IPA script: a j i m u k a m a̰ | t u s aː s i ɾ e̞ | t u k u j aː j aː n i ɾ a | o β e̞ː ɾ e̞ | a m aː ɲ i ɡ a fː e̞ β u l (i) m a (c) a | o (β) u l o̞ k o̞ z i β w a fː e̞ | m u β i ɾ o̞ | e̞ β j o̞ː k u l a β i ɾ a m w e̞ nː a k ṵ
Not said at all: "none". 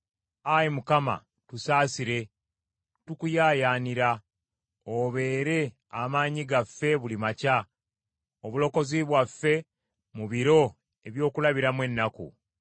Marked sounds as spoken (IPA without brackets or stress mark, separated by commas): i, c, β